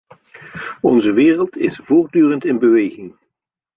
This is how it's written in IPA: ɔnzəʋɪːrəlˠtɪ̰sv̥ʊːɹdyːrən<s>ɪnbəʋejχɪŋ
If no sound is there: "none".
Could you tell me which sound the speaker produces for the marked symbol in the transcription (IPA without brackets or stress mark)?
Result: t